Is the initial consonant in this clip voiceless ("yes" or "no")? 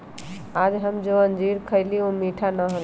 no